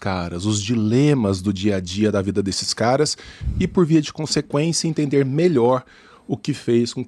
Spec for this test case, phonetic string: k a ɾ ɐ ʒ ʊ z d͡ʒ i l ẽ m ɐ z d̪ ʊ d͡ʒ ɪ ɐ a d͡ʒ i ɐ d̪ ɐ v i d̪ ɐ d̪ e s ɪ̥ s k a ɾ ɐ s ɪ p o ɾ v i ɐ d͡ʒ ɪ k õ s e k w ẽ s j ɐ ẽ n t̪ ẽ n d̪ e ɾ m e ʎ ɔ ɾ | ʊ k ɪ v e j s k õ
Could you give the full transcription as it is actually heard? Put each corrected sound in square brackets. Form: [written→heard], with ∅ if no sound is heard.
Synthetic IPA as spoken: k a ɾ ɐ [ʒ→z] ʊ z d͡ʒ i l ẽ m ɐ z d̪ ʊ d͡ʒ [ɪ→i] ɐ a d͡ʒ i ɐ d̪ ɐ v i d̪ ɐ d̪ e s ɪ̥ s k a ɾ ɐ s ɪ p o ɾ v i ɐ d͡ʒ ɪ k õ s e k w ẽ s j ɐ ẽ n t̪ ẽ n d̪ e ɾ m e ʎ ɔ ɾ | ʊ k ɪ [v→f] e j s k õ